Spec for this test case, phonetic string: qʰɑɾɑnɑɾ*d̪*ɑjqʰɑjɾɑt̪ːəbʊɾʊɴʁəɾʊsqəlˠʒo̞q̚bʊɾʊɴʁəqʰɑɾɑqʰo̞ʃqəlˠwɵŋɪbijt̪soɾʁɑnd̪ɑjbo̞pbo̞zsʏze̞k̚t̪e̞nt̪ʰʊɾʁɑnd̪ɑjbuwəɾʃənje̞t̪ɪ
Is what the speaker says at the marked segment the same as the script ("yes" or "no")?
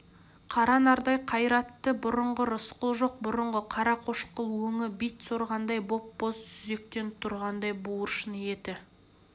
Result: yes